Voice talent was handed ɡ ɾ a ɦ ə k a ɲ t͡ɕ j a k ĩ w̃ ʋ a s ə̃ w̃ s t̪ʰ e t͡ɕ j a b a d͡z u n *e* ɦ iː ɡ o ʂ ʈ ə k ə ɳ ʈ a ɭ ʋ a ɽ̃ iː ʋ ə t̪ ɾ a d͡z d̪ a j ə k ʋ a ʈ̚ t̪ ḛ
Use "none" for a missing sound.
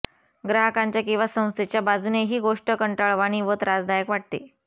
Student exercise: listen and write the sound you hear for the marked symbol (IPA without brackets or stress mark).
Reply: e